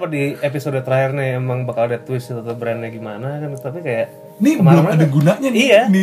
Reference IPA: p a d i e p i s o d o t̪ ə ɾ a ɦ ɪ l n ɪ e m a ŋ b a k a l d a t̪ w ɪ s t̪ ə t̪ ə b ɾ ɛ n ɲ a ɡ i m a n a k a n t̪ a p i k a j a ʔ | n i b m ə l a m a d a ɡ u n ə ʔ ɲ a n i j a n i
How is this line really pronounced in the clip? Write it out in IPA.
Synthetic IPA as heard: p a d i e p i s o d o t̪ ə ɾ a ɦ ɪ r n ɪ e m a ŋ b a k a l d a t̪ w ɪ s t̪ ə t̪ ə b ɾ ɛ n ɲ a ɡ i m a n a k a n t̪ a p i k a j a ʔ | n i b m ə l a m a d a ɡ u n a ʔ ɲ a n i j a n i